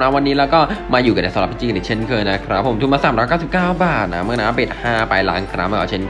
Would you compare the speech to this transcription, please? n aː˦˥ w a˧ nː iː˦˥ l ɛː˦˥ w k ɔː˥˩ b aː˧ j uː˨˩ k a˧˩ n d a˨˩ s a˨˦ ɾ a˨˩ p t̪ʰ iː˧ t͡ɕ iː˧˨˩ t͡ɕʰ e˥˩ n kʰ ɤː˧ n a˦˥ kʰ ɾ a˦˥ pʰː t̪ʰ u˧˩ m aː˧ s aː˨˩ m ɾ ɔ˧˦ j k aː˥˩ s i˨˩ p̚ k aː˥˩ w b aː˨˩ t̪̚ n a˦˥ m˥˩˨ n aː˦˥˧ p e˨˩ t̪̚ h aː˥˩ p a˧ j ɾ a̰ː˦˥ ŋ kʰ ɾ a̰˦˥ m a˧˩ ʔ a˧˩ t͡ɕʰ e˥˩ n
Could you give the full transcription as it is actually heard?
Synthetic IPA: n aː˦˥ w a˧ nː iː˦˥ l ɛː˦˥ w k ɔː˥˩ m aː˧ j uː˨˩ k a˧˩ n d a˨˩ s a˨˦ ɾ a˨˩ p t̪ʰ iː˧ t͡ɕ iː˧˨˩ t͡ɕʰ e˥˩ n kʰ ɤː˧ n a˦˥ kʰ ɾ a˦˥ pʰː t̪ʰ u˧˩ m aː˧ s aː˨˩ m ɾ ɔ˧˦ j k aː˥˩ s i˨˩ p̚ k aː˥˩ w b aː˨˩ t̪̚ n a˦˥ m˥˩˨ n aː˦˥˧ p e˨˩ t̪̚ h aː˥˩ p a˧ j l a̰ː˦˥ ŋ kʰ ɾ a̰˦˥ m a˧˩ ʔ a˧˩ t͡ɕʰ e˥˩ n

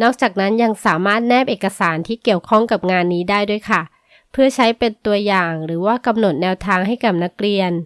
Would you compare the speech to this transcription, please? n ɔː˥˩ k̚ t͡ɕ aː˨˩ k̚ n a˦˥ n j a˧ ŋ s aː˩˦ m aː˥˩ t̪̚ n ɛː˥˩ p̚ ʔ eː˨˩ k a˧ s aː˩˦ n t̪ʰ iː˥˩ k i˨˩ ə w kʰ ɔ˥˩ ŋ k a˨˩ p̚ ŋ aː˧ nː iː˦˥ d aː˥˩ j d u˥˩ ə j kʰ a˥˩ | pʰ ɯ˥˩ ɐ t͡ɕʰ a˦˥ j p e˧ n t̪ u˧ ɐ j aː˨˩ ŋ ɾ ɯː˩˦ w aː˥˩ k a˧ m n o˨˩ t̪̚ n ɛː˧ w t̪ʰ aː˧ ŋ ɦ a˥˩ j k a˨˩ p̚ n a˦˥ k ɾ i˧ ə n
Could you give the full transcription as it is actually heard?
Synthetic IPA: n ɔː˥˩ k̚ t͡ɕ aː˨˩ k̚ n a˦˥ n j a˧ ŋ s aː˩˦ m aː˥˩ t̪̚ n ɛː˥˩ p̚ ʔ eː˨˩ k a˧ s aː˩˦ n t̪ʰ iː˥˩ k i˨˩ ə w kʰ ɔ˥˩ ŋ k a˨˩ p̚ ŋ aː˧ nː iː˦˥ d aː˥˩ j d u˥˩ ə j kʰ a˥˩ | pʰ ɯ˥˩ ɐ t͡ɕʰ a˦˥ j p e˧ n t̪ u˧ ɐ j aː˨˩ ŋ ɾ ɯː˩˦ w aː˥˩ k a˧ m n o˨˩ t̪̚ n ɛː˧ w t̪ʰ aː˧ ŋ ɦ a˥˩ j k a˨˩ p̚ n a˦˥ k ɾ i˧ ə n

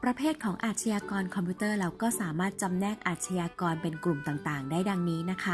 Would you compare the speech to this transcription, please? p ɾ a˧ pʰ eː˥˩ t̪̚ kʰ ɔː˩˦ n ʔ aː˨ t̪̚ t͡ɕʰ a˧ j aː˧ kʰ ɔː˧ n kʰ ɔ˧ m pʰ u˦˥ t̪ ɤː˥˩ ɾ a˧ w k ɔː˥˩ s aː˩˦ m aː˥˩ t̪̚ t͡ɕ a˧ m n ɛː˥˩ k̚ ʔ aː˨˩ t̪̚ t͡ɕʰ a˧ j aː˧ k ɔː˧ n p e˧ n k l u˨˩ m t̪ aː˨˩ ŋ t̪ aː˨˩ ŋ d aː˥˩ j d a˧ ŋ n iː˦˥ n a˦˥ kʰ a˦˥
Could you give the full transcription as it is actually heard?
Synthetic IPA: p ɾ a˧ pʰ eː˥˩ t̪̚ kʰ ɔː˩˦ ŋ ʔ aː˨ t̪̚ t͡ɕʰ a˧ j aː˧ k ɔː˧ n kʰ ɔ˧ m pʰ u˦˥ t̪ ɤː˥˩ ɾ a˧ w k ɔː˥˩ s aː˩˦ m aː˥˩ t̪̚ t͡ɕ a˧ m n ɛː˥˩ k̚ ʔ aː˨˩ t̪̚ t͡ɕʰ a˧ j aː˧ k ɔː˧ n p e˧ n k l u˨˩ m t̪ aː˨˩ ŋ t̪ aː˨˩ ŋ d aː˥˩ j d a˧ ŋ n iː˦˥ n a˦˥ kʰ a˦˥

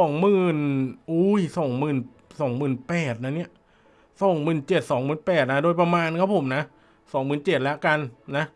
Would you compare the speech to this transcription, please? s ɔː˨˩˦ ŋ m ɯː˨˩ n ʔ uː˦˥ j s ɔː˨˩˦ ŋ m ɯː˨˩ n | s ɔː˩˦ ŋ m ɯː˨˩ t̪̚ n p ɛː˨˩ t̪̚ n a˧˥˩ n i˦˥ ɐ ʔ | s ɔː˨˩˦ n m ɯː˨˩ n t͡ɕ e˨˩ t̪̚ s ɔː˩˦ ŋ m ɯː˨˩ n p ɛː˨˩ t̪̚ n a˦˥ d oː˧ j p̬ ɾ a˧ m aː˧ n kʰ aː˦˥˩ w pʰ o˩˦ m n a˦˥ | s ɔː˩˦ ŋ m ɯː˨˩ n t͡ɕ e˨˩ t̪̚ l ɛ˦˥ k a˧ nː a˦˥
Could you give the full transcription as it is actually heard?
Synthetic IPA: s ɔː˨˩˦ ŋ m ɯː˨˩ n ʔ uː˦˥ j s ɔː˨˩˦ ŋ m ɯː˨˩ n | s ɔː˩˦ ŋ m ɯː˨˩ n p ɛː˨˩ t̪̚ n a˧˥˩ n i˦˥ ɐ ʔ | s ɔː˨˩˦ ŋ m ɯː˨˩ n t͡ɕ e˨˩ t̪̚ s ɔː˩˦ ŋ m ɯː˨˩ n p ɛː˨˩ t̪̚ n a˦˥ d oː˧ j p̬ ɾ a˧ m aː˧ n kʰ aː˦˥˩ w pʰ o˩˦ m n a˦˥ | s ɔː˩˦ ŋ m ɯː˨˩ n t͡ɕ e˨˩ t̪̚ l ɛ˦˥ k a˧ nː a˦˥

